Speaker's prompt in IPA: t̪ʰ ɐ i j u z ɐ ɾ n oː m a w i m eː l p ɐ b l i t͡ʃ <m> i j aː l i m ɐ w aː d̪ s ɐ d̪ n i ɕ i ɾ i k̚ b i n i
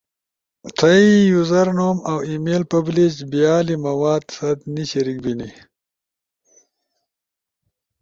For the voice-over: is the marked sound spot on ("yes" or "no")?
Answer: no